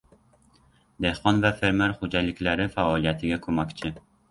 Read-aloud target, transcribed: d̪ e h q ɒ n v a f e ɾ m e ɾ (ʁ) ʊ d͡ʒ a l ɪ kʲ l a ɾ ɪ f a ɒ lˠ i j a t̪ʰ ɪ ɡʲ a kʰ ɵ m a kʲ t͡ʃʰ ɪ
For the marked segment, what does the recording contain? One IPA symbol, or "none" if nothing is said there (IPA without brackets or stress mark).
χ